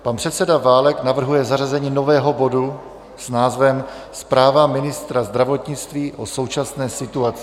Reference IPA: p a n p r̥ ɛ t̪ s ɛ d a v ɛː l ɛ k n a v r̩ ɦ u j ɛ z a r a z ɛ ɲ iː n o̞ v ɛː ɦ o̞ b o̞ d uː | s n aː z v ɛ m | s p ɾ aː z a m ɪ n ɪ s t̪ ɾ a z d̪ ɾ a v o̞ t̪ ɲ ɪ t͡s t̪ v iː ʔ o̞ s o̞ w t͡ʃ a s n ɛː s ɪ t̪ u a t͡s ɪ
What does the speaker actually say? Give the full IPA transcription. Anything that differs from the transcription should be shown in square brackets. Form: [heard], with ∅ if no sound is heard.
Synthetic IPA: p a n p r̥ ɛ t̪ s ɛ d a v [aː] l ɛ k n a v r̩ ɦ u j ɛ z a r a z ɛ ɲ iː n o̞ v ɛː ɦ o̞ b o̞ d [u] | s n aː z v ɛ m | s p ɾ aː [v] a m ɪ n ɪ s t̪ ɾ a z d̪ ɾ a v o̞ t̪ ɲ ɪ t͡s t̪ v iː ʔ o̞ s o̞ w t͡ʃ a s n ɛː s ɪ t̪ u a t͡s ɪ

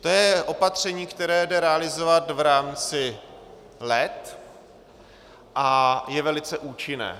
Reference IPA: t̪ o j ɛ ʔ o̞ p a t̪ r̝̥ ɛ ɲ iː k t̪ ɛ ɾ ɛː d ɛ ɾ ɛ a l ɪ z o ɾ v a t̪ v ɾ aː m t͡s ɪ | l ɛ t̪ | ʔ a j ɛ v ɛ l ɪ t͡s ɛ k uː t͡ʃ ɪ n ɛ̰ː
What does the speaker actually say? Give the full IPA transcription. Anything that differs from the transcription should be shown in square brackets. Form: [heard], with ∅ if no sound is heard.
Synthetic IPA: t̪ o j ɛ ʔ o̞ p a t̪ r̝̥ ɛ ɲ iː k t̪ ɛ ɾ ɛː d ɛ ɾ ɛ a l ɪ z o [∅] v a t̪ v ɾ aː m t͡s ɪ | l ɛ t̪ | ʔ a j ɛ v ɛ l ɪ t͡s ɛ [ʔ] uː t͡ʃ ɪ n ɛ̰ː

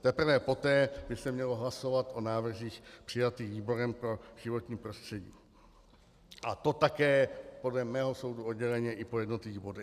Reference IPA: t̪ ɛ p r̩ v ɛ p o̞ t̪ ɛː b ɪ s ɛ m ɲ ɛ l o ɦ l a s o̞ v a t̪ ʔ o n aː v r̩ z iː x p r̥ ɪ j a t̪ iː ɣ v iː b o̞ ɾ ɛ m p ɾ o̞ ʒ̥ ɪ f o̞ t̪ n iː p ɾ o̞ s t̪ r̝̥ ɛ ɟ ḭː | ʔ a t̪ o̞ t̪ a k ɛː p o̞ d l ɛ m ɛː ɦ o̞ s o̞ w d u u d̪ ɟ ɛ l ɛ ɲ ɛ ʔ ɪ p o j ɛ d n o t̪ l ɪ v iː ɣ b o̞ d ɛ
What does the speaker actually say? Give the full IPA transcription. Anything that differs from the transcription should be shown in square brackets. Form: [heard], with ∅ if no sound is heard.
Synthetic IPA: t̪ ɛ p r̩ v ɛ p o̞ t̪ ɛː b ɪ s ɛ m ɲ ɛ l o ɦ l a s o̞ v a t̪ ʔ o n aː v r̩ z iː x p r̥ ɪ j a t̪ iː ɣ v iː b o̞ ɾ ɛ m p ɾ o̞ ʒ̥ ɪ [v] o̞ t̪ [ɲ] iː p ɾ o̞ s t̪ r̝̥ ɛ ɟ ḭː | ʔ a t̪ o̞ t̪ a k ɛː p o̞ d l ɛ m ɛː ɦ o̞ s o̞ w d u [o] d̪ ɟ ɛ l ɛ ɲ ɛ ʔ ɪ p o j ɛ d n o t̪ l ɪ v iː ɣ b o̞ d ɛ

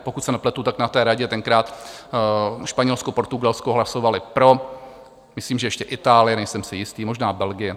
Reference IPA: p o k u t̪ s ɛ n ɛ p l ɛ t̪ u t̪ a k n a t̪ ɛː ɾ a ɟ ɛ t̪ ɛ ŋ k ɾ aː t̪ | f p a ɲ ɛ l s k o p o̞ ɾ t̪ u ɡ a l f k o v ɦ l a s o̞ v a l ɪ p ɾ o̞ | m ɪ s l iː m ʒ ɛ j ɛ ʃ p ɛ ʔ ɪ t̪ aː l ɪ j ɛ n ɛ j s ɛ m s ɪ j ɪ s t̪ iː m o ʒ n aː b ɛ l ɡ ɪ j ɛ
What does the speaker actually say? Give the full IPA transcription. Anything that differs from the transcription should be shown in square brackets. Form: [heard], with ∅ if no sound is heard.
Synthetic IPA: p o k u t̪ s ɛ n ɛ p l ɛ t̪ u t̪ a k n a t̪ ɛː ɾ a ɟ ɛ t̪ ɛ ŋ k ɾ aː t̪ | [ʃ] p a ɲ ɛ l s k o p o̞ ɾ t̪ u ɡ a l [s] k o [∅] ɦ l a s o̞ v a l ɪ p ɾ o̞ | m ɪ s l iː m ʒ ɛ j ɛ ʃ [c] ɛ ʔ ɪ t̪ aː l ɪ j ɛ n ɛ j s ɛ m s ɪ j ɪ s t̪ iː m o ʒ n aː b ɛ l ɡ ɪ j ɛ

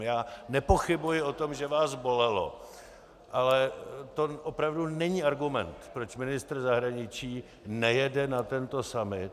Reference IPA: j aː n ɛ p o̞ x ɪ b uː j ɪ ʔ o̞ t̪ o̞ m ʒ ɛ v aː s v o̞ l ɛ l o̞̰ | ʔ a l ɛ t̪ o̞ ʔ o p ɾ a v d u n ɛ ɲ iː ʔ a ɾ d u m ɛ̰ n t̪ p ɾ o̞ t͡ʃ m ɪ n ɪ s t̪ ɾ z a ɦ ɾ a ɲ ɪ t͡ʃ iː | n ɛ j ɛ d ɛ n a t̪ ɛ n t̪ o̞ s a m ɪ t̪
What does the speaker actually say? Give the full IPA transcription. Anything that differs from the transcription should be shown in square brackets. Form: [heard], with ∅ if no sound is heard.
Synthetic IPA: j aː n ɛ p o̞ x ɪ b [u] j ɪ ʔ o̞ t̪ o̞ m ʒ ɛ v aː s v o̞ l ɛ l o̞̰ | ʔ a l ɛ t̪ o̞ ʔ o p ɾ a v d u n ɛ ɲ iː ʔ a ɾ [ɡ] u m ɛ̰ n t̪ p ɾ o̞ t͡ʃ m ɪ n ɪ s t̪ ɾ z a ɦ ɾ a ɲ ɪ t͡ʃ iː | n ɛ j ɛ d ɛ n a t̪ ɛ n t̪ o̞ s a m ɪ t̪

